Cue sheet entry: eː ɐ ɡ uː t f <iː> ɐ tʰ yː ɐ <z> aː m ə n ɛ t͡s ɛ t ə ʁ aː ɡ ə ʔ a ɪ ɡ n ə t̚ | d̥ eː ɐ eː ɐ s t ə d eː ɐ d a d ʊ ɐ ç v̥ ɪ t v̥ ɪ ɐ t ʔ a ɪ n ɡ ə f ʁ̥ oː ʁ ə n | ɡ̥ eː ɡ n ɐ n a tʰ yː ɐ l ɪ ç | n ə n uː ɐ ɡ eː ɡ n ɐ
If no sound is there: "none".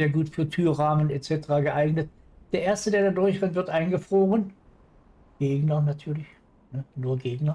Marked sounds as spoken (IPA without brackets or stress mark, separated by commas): yː, ʁ